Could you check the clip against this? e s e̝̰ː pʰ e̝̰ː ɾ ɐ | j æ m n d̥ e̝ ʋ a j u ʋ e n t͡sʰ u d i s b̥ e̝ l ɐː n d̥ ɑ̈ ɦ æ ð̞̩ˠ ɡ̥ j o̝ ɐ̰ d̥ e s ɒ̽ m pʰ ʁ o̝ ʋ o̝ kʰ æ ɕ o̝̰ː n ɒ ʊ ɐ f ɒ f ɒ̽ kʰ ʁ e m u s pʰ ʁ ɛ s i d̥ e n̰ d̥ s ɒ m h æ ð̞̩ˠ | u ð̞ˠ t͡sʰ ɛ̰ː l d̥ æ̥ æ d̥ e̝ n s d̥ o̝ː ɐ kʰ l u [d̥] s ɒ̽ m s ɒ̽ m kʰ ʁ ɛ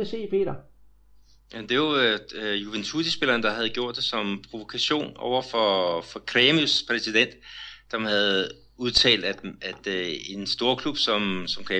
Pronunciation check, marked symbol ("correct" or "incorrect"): incorrect